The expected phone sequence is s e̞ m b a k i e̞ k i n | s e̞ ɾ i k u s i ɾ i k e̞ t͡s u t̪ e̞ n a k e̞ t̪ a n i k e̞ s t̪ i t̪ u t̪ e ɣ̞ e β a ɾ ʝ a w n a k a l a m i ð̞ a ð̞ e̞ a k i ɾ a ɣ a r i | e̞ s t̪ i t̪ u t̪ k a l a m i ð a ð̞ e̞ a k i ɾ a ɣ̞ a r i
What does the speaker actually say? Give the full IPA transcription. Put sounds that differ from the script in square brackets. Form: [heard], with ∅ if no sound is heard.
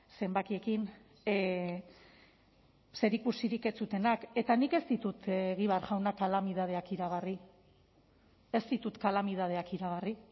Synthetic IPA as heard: s e̞ m b a k i e̞ k i n | s e̞ ɾ i k u s i ɾ i k e̞ t͡s u t̪ e̞ n a k e̞ t̪ a n i k e̞ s t̪ i t̪ u t̪ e ɣ̞ [i] β a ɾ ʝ a w n a k a l a m i ð̞ a ð̞ e̞ a k i ɾ a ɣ a r i | e̞ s t̪ i t̪ u t̪ k a l a m i ð a ð̞ e̞ a k i ɾ a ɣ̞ a r i